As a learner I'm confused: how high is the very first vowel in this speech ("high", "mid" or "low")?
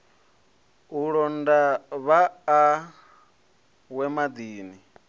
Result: high